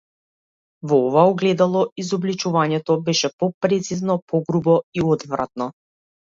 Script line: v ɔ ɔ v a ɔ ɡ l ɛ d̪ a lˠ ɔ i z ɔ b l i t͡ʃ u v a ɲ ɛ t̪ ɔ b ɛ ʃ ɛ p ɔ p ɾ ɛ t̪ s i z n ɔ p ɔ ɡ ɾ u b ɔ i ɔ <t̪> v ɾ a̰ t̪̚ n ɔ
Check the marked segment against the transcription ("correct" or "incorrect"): incorrect